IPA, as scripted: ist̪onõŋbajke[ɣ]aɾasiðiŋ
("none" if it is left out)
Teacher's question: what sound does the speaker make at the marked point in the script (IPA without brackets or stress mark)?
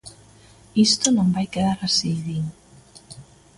ð